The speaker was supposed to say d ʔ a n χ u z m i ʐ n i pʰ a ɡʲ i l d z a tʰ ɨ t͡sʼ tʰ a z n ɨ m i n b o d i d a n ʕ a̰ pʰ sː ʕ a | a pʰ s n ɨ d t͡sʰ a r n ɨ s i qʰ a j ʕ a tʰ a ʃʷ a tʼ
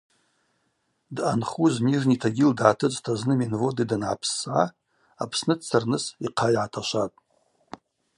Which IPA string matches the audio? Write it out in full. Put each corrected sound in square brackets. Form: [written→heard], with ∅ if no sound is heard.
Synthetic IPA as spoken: d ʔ a n χ u z m i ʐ n i [pʰ→tʰ] a ɡʲ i l d [z→ʕ] a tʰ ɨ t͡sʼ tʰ a z n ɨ m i n [b→v] o d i d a n ʕ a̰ pʰ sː ʕ a | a pʰ s n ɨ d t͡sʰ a r n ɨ s i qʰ a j ʕ a tʰ a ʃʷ a tʼ